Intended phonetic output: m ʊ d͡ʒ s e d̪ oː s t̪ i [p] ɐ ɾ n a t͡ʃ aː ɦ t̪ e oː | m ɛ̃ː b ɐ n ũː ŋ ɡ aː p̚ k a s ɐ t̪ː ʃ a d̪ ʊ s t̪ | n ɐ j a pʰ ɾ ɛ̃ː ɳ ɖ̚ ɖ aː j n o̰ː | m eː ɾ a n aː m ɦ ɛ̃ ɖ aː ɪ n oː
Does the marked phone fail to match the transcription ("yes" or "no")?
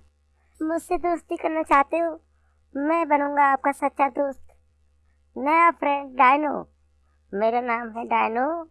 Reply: yes